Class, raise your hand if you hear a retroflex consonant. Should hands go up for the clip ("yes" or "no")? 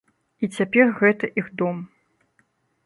no